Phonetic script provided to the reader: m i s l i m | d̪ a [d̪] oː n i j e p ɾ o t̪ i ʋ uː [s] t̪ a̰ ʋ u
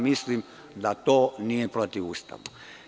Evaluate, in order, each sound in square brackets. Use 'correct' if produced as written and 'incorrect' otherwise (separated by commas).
incorrect, correct